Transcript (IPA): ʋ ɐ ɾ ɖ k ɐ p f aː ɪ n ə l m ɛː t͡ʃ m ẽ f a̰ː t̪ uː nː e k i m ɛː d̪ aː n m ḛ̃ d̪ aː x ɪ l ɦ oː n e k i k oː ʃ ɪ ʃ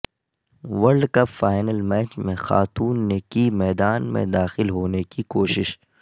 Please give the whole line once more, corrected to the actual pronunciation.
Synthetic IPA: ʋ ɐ ɾ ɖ k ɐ p f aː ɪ n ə l m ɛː t͡ʃ m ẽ x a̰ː t̪ uː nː e k i m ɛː d̪ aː n m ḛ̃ d̪ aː x ɪ l ɦ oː n e k i k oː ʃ ɪ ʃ